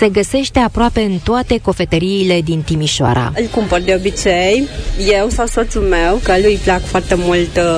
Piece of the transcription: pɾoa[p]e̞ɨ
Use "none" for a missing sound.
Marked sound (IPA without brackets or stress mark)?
p